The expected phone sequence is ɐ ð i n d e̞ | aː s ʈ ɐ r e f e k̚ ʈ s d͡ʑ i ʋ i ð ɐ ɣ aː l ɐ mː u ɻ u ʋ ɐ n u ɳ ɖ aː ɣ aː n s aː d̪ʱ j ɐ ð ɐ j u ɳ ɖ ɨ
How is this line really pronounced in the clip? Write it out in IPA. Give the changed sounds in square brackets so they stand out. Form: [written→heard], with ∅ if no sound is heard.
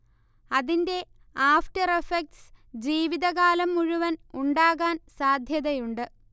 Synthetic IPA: ɐ ð i n d e̞ | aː [s→f] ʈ ɐ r e f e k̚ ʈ s d͡ʑ [i→iː] ʋ i ð ɐ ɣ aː l ɐ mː u ɻ u ʋ ɐ n u ɳ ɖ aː ɣ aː n s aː d̪ʱ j ɐ ð ɐ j u ɳ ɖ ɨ